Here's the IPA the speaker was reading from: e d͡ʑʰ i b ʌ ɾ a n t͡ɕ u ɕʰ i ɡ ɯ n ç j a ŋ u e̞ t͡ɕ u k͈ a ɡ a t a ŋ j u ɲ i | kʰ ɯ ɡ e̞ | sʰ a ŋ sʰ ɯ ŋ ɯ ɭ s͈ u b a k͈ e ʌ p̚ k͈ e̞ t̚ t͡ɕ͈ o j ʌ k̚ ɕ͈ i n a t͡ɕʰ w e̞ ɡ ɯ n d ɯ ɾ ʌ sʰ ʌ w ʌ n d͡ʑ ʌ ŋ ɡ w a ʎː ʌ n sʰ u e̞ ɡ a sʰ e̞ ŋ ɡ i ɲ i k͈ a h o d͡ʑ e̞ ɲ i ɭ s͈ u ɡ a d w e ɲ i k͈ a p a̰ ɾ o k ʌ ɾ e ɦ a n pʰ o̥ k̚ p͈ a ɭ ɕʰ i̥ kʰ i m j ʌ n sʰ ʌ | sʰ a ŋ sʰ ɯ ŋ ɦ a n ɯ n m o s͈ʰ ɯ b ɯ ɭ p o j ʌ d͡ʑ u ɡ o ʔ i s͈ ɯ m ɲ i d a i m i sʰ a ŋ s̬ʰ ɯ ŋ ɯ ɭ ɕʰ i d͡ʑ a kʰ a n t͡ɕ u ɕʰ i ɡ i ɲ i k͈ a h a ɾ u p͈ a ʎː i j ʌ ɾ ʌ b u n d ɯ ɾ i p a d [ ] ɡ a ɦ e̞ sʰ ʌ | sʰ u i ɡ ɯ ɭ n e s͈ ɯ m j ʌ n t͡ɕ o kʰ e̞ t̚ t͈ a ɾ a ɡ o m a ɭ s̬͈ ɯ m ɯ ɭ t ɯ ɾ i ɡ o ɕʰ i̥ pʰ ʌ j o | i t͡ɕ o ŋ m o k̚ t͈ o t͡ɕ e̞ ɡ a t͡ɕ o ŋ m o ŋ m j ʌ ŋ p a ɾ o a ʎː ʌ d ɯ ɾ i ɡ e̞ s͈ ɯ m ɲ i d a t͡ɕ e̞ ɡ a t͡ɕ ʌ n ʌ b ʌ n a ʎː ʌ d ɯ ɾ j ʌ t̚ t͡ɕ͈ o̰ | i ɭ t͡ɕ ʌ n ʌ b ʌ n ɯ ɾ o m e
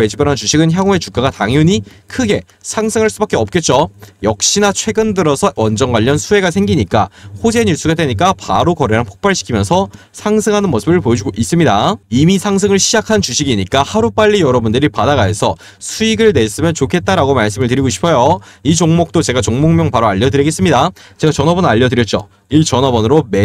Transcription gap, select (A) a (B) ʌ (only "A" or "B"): A